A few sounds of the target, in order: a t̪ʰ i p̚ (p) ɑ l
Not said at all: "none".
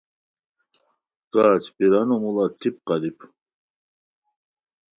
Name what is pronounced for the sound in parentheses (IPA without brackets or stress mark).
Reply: q